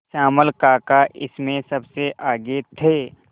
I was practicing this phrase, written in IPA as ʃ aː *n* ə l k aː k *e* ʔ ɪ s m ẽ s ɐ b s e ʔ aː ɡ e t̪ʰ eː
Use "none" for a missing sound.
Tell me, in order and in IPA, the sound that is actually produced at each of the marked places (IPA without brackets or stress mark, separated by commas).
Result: m, a